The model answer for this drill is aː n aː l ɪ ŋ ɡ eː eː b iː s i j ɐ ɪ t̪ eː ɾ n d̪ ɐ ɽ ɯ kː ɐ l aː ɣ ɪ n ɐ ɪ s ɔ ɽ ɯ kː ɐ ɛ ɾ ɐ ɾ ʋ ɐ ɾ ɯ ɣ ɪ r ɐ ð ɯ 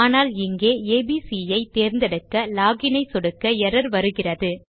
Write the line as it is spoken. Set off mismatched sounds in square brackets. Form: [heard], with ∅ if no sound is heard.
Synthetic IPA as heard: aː n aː l ɪ ŋ ɡ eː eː b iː s i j ɐ ɪ t̪ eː ɾ n d̪ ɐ ɽ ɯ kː ɐ l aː ɣ ɪ n ɐ ɪ s ɔ ɽ ɯ kː ɐ ɛ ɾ ɐ ɾ ʋ ɐ ɾ ɯ ɣ ɪ r ɐ ð ɯ